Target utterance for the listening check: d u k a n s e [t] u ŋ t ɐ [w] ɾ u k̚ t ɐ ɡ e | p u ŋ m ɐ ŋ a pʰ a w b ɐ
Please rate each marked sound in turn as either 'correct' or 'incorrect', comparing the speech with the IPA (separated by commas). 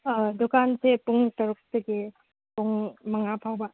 incorrect, incorrect